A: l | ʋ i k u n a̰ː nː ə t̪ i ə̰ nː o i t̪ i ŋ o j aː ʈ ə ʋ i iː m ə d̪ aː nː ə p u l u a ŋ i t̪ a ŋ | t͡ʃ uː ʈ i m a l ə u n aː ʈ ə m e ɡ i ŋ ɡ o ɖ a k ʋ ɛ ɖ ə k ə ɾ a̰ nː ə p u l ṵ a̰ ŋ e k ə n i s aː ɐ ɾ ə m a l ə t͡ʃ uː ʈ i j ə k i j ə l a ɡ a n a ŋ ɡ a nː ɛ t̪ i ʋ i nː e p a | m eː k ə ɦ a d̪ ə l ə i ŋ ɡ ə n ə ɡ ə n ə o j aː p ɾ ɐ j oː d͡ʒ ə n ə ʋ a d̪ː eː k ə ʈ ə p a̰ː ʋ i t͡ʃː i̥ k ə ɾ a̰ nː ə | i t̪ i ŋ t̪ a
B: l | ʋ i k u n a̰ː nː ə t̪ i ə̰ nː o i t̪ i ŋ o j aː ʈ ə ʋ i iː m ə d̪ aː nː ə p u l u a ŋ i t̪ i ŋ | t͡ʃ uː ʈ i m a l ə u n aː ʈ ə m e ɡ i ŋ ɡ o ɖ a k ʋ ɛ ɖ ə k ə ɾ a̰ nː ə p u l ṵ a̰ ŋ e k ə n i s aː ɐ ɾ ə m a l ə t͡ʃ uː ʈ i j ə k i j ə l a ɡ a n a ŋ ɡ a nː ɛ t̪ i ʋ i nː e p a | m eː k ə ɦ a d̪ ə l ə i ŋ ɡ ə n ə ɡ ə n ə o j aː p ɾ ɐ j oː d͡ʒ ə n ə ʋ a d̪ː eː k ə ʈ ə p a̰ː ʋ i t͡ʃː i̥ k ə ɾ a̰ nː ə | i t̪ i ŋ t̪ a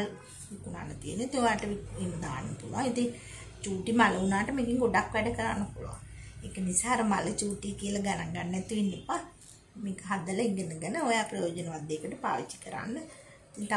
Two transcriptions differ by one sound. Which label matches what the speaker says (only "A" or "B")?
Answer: B